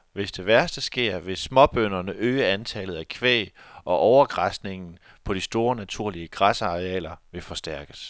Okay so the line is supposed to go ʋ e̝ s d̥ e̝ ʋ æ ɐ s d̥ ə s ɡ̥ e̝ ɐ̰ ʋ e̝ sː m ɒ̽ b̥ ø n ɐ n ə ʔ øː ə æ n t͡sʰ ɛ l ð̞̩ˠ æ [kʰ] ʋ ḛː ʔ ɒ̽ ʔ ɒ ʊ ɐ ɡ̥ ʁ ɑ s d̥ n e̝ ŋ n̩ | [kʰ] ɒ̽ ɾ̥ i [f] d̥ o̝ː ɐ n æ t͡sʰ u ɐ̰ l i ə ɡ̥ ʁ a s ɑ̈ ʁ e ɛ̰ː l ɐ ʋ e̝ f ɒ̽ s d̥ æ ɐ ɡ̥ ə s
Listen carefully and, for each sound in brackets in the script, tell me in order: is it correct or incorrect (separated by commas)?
correct, incorrect, incorrect